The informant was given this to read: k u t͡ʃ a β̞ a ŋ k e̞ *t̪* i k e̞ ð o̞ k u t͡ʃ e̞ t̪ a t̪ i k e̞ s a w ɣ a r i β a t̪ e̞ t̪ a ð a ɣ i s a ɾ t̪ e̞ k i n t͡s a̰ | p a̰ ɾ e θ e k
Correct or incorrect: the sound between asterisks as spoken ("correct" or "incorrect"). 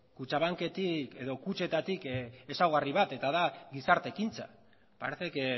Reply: correct